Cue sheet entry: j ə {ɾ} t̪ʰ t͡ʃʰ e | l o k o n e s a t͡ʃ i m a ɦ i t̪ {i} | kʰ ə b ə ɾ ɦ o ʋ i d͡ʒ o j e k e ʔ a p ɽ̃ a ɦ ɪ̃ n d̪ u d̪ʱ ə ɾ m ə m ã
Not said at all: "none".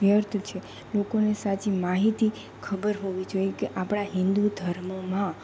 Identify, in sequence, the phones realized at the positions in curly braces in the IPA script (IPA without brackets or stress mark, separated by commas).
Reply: ɾ, i